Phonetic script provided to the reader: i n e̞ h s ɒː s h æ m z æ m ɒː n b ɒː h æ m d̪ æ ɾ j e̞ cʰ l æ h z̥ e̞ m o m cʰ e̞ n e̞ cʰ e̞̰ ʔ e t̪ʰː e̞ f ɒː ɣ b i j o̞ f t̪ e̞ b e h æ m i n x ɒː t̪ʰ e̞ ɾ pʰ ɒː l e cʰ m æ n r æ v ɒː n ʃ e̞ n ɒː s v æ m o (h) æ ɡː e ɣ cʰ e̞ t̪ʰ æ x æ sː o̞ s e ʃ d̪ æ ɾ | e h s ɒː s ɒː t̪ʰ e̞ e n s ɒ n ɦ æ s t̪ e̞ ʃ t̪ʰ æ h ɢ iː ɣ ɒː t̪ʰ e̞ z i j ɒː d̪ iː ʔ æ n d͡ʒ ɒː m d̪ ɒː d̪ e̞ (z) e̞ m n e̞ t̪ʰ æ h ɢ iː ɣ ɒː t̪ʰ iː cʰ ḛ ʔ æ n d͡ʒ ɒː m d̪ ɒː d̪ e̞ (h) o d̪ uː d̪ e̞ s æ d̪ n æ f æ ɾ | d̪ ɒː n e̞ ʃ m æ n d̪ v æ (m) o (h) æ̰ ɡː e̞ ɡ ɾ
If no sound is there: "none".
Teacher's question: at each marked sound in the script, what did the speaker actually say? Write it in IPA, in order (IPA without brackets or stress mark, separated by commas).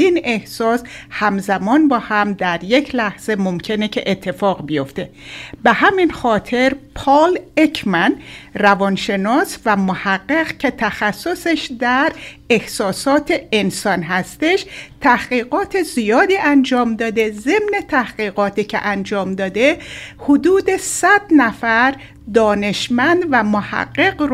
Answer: h, z, h, m, h